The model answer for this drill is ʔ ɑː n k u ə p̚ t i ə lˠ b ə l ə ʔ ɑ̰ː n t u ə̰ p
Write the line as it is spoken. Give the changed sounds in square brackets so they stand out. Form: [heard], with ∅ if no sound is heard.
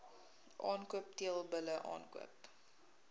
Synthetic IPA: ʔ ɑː n k u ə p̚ t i ə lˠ b ə l ə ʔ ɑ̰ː n [k] u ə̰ p